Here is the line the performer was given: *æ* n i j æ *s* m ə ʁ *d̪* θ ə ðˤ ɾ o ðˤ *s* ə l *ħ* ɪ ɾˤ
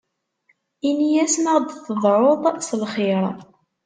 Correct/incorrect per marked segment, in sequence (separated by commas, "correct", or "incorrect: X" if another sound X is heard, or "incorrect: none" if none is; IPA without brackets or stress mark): incorrect: i, correct, correct, correct, incorrect: χ